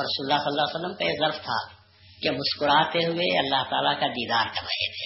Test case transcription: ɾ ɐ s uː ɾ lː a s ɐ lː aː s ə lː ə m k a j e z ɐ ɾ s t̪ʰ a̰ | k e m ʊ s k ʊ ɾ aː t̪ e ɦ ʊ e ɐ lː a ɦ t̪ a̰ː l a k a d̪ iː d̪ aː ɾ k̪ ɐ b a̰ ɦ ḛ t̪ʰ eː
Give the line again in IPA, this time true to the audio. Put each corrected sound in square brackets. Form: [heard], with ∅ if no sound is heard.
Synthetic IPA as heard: ɾ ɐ s uː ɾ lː a s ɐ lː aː s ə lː ə m k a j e z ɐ ɾ [f] t̪ʰ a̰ | k e m ʊ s k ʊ ɾ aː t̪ e ɦ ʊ e ɐ lː a ɦ t̪ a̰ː l a k a d̪ iː d̪ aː ɾ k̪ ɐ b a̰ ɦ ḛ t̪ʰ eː